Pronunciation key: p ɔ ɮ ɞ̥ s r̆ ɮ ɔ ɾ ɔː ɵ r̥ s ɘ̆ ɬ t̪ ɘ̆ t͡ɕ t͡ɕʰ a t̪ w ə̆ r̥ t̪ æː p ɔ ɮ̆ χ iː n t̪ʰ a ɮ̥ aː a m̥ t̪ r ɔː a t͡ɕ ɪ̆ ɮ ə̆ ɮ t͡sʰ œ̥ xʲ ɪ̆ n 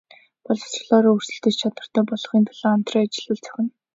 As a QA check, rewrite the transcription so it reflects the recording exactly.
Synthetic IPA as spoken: p ɔ ɮ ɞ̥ s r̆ ɮ ɔː ɾ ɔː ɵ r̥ s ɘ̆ ɬ t̪ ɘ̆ t͡ɕ t͡ɕʰ a t̪ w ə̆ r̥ t̪ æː p ɔ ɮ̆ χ iː n t̪ʰ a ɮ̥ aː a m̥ t̪ r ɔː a t͡ɕ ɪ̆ ɮ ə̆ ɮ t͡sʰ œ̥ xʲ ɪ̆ n